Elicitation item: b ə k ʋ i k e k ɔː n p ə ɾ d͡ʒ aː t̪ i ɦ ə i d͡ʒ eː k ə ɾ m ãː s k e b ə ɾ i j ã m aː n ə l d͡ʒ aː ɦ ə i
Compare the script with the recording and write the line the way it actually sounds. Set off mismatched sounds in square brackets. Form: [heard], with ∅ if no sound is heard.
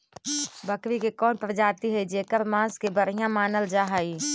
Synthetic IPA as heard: b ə k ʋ i k e k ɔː n p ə ɾ d͡ʒ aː t̪ i ɦ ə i d͡ʒ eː k ə ɾ m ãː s k e b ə ɾ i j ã m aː n ə l d͡ʒ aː ɦ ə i